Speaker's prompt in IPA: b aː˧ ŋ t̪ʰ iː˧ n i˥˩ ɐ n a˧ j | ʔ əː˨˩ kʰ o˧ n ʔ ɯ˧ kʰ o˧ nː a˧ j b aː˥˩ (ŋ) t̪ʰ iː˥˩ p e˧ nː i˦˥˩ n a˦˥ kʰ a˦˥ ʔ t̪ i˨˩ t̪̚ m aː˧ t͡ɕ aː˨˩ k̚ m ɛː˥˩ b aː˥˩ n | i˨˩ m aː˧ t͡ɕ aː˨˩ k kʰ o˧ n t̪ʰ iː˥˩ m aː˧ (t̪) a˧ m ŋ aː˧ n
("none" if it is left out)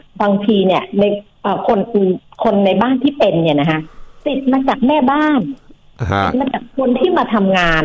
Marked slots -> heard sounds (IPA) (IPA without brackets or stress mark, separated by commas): n, t̪ʰ